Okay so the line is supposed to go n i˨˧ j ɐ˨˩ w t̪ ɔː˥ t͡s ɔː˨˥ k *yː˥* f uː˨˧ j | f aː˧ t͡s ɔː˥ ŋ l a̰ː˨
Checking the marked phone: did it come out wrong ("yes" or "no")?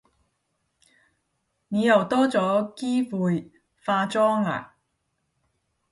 yes